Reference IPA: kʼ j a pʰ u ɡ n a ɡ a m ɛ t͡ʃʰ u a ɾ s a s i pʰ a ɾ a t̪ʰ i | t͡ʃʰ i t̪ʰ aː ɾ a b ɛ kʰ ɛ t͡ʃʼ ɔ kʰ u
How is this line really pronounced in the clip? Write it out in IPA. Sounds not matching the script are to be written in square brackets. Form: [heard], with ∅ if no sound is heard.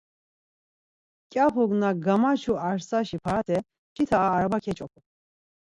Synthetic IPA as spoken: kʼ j a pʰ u ɡ n a ɡ a m [a] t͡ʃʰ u a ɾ s a [ʃ] i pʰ a ɾ a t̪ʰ [ɛ] | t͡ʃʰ i t̪ʰ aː ɾ a b [a] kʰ ɛ t͡ʃʼ ɔ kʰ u